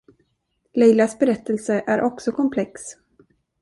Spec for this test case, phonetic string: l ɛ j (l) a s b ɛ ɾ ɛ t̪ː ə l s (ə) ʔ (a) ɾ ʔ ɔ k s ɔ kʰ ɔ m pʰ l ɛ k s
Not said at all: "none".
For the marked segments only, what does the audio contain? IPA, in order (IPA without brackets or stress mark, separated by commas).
l, ə, æ